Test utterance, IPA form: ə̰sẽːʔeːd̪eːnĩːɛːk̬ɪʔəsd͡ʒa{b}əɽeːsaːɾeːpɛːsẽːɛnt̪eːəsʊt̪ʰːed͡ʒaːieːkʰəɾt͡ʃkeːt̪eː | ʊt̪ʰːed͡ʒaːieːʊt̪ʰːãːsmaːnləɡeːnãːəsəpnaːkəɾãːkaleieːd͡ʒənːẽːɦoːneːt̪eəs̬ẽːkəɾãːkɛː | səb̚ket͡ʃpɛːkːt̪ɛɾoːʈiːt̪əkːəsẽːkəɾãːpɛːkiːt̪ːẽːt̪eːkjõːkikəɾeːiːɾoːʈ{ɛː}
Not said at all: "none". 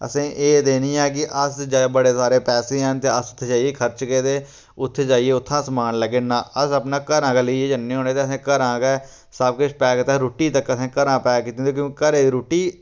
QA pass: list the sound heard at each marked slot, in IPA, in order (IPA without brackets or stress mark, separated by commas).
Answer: b, iː